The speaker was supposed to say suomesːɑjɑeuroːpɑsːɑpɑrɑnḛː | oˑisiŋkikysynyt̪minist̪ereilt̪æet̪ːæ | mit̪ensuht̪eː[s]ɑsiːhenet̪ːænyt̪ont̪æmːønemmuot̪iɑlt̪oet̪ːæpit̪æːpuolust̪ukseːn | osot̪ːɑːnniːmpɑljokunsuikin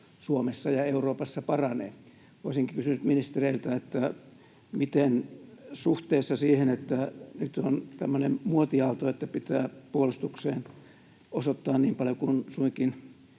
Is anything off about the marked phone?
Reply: yes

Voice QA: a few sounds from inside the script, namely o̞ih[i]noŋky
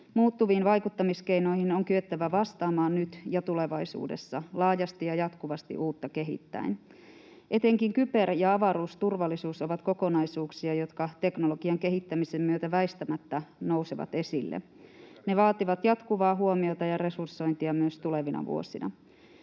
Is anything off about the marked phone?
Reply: no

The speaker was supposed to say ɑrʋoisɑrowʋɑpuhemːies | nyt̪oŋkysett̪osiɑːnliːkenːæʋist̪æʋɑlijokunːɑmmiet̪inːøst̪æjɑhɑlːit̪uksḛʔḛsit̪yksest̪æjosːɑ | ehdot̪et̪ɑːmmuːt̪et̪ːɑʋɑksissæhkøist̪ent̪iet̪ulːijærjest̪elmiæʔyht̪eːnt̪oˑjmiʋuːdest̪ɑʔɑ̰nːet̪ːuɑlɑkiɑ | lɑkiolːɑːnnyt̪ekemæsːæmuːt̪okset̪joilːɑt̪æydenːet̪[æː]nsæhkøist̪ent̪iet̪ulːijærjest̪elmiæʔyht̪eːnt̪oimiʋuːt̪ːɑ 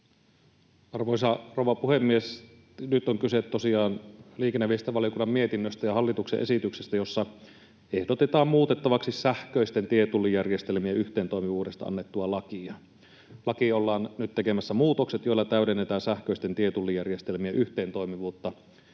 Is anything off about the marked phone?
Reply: no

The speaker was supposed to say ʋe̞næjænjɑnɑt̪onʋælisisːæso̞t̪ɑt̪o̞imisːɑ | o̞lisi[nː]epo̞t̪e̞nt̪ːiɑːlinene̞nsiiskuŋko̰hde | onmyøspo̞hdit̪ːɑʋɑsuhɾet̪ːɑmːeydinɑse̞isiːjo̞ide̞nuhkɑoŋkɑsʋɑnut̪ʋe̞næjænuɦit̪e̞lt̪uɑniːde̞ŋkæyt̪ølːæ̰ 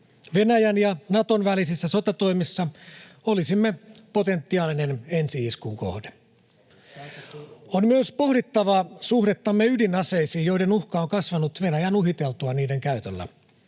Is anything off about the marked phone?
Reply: yes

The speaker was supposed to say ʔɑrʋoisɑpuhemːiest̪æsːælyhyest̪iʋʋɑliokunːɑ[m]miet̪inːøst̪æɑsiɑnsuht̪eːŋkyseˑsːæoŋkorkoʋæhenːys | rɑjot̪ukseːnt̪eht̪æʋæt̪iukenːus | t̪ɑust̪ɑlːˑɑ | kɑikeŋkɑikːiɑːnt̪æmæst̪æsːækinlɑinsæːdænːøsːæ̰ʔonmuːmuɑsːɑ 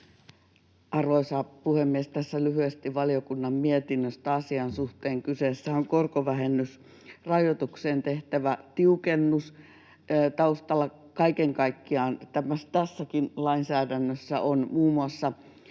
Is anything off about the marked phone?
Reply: no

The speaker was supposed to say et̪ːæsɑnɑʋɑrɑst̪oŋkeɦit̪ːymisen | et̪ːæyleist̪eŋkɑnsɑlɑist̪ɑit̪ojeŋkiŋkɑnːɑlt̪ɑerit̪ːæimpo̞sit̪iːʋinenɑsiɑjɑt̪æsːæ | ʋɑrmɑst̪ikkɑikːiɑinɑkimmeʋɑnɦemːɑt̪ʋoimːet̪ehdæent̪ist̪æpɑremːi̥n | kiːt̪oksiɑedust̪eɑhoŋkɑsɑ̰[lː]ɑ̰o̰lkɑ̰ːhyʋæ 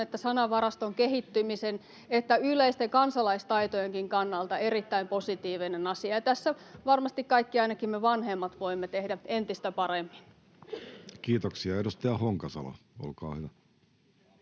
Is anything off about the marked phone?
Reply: yes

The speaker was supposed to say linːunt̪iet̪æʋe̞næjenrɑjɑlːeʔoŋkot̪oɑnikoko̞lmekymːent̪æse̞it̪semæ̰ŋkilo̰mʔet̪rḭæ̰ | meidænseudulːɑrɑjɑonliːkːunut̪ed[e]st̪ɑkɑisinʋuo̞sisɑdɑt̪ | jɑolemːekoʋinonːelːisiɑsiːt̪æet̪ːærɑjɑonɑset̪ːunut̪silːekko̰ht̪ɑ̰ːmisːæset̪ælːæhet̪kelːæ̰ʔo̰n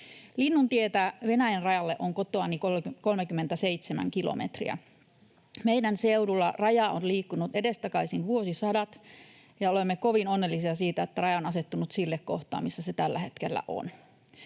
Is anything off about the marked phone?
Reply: no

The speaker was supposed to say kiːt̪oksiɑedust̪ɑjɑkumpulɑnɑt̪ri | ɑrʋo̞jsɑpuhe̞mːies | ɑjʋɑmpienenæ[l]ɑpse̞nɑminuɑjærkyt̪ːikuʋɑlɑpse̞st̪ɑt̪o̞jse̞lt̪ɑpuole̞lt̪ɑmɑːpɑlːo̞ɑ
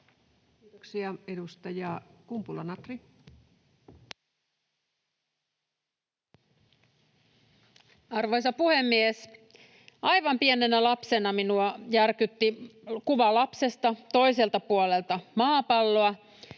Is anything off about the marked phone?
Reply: no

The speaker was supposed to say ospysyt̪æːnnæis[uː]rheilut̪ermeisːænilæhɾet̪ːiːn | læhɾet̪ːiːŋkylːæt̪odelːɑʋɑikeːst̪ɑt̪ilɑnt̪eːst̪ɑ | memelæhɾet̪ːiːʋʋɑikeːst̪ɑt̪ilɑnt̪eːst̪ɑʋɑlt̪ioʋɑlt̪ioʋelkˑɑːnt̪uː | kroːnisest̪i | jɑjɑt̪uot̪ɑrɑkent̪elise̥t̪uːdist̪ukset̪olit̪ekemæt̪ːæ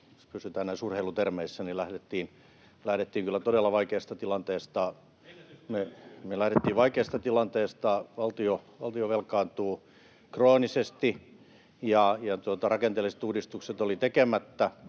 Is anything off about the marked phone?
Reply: yes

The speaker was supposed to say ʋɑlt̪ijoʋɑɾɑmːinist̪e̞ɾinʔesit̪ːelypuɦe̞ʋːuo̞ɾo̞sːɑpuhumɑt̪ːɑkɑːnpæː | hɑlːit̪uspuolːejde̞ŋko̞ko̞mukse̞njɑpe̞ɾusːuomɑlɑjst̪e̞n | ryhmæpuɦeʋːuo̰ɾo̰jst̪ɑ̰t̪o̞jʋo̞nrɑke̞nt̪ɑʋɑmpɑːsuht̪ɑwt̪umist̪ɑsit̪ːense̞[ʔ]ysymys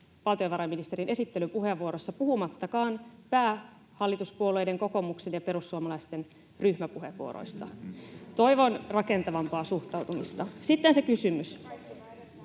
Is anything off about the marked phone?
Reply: yes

